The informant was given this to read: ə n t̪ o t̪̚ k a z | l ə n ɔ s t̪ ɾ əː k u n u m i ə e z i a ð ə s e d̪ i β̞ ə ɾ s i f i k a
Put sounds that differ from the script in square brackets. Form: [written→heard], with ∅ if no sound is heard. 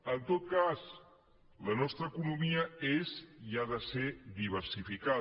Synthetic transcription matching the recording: ə n t̪ o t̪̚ k a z | l ə n ɔ s t̪ ɾ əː k u n u m i ə e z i a ð ə s e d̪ i β̞ ə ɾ s i f i k a